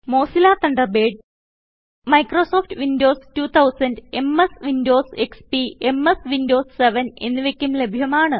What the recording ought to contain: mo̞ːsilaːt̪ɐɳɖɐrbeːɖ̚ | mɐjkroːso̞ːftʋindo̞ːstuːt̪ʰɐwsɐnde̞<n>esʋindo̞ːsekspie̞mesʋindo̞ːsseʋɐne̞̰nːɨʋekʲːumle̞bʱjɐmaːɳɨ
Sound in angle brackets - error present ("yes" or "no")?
yes